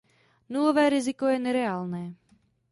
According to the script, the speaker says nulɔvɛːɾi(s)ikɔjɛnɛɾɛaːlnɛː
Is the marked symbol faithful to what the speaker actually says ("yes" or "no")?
no